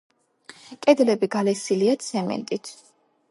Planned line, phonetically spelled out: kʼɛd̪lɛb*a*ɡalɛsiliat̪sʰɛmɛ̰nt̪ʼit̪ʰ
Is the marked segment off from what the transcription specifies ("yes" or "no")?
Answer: yes